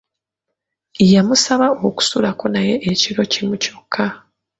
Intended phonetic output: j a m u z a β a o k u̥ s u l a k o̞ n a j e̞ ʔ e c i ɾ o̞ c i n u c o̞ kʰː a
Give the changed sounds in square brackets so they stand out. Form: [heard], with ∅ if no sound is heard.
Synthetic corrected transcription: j a m u [s] a β a o k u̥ s u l a k o̞ n a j e̞ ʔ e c i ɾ o̞ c i [m] u c o̞ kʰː a